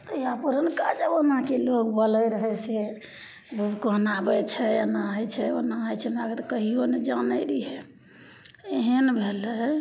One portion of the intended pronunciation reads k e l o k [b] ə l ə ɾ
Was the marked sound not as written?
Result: no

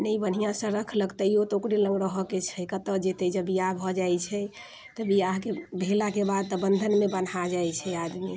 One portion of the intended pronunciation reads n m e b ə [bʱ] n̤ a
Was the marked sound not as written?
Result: yes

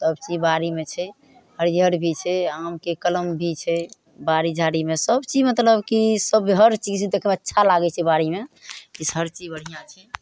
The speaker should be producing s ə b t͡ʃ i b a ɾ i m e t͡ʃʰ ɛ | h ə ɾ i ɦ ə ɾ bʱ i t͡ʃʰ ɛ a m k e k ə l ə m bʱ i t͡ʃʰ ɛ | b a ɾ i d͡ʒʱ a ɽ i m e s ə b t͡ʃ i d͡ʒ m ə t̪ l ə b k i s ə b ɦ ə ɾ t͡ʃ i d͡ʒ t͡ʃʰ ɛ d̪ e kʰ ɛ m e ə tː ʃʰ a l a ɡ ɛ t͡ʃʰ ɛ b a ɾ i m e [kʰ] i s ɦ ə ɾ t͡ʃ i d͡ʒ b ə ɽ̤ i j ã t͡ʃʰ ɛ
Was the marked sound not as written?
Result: yes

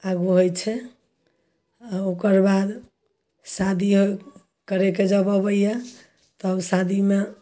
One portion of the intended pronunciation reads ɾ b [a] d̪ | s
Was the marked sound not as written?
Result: no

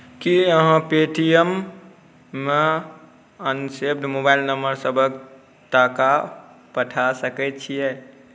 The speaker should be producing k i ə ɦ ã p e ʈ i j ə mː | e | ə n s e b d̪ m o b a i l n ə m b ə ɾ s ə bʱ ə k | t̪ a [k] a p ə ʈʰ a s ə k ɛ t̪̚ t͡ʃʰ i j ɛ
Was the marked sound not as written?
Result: no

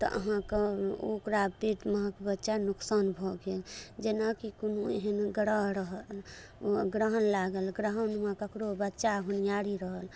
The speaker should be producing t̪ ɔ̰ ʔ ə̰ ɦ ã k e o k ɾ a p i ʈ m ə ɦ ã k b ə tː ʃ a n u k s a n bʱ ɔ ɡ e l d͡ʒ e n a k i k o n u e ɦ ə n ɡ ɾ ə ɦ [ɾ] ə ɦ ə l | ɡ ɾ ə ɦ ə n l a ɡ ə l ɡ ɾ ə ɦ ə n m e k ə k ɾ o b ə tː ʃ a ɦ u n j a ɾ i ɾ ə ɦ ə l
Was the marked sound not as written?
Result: no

